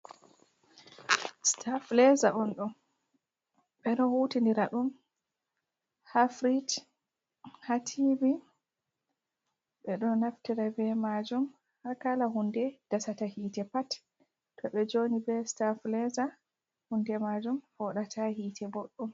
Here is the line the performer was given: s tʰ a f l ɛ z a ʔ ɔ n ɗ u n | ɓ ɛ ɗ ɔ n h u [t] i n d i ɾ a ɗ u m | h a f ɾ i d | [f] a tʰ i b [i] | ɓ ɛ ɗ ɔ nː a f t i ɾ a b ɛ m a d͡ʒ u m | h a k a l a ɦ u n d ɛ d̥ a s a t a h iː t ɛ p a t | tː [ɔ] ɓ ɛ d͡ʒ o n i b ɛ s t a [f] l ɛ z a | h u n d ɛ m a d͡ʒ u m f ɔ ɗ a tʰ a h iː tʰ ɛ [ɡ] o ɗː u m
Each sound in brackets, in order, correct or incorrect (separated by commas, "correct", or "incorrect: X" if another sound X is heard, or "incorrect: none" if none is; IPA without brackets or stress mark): correct, incorrect: h, correct, correct, correct, incorrect: b